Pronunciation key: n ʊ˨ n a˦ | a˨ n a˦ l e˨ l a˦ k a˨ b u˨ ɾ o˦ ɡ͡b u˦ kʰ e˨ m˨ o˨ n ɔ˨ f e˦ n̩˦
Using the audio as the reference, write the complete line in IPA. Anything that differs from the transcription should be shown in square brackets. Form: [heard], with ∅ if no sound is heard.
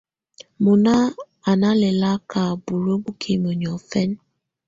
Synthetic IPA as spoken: [m] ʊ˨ n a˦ | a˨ n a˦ l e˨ l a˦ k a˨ b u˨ ɾ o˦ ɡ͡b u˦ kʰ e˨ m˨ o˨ [ɲ] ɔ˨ f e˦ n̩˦